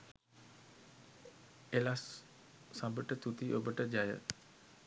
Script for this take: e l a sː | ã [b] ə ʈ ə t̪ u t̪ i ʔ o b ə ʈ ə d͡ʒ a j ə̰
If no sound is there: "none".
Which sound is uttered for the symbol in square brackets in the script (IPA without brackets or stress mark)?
b